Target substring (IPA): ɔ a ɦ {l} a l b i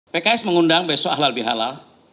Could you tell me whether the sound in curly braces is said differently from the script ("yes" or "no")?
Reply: no